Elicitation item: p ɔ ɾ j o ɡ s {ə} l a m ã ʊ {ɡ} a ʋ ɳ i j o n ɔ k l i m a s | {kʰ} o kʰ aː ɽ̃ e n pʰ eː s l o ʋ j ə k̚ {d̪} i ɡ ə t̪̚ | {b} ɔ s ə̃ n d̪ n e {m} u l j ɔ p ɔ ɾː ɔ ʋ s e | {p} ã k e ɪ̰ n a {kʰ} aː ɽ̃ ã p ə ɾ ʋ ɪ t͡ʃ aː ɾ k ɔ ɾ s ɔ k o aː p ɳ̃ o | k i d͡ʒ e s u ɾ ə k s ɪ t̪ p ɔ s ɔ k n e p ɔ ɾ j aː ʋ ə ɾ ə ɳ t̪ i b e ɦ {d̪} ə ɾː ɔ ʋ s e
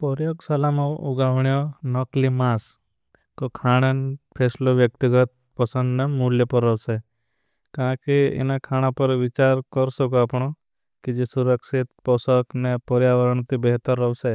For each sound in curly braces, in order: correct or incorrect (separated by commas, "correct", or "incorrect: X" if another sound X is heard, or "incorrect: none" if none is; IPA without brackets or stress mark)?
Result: incorrect: a, correct, incorrect: k, incorrect: t̪, incorrect: p, correct, incorrect: k, correct, incorrect: t̪